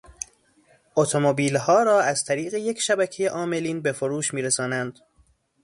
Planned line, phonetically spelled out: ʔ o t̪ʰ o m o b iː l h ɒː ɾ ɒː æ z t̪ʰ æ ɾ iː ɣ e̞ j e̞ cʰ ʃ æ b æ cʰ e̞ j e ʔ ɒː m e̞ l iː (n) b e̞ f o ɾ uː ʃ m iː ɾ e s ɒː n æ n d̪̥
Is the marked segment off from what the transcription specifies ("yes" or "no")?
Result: no